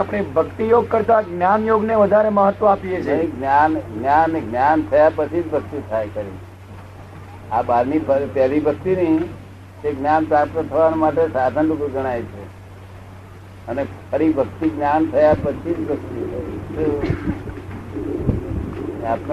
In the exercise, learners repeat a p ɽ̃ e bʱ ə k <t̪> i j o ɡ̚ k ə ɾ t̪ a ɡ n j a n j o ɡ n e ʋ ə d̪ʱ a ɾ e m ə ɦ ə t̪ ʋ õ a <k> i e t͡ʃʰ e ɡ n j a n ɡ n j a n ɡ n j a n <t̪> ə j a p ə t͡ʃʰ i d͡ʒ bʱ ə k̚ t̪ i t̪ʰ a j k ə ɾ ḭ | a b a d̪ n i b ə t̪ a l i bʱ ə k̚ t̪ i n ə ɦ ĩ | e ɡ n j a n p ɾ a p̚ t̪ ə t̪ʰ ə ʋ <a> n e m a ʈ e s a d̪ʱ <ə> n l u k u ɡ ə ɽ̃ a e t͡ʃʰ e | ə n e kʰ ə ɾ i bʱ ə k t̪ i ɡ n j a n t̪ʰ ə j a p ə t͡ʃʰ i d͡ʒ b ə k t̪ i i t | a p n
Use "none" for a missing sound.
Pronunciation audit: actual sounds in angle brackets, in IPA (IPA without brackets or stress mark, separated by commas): t̪, p, t̪ʰ, a, ə